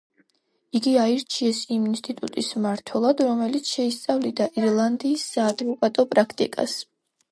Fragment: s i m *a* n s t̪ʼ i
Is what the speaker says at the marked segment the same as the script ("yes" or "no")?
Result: no